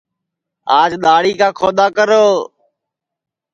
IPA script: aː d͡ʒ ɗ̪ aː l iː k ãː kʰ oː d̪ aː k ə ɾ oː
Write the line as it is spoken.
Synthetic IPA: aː d͡ʒ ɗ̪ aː ɽ iː k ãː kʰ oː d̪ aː k ə ɾ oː